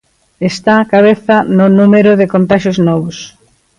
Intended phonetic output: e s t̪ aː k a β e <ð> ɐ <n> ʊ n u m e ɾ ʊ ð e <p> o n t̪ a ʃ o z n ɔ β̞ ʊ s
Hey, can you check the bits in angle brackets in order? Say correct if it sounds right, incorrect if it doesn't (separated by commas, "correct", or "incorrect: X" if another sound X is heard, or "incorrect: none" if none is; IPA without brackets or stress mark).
incorrect: θ, correct, incorrect: k